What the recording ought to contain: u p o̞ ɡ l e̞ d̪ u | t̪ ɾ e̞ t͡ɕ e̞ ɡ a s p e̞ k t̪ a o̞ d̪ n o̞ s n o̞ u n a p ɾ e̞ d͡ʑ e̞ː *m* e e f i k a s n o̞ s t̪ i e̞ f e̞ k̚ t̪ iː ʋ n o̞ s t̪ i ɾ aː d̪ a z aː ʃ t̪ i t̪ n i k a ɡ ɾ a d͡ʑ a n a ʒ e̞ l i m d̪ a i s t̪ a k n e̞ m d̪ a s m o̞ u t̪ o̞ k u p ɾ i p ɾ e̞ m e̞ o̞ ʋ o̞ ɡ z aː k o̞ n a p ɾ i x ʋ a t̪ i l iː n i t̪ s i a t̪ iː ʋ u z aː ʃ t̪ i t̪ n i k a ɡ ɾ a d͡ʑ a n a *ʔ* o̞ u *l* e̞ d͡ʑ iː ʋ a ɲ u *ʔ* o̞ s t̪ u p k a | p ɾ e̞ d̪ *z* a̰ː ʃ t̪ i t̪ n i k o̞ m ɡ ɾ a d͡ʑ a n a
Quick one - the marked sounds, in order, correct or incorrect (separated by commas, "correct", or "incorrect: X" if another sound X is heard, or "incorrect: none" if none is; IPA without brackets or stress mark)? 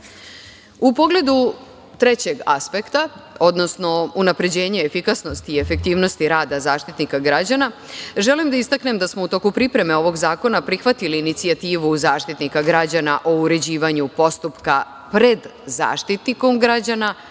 incorrect: ɲ, correct, incorrect: ɾ, incorrect: p, correct